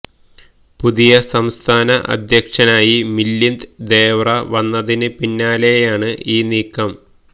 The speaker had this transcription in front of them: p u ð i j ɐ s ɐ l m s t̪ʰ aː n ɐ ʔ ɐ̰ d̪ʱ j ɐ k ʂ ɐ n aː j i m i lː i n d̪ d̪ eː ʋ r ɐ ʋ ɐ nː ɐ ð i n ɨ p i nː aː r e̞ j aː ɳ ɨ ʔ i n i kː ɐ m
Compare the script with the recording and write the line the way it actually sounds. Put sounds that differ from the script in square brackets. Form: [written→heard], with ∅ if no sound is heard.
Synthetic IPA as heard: p u ð i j ɐ s ɐ [l→∅] m s t̪ʰ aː n ɐ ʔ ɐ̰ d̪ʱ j ɐ k ʂ ɐ n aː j i m i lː i n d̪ d̪ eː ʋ r ɐ ʋ ɐ nː ɐ ð i n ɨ p i nː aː [r→l] e̞ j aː ɳ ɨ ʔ [i→iː] n [i→iː] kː ɐ m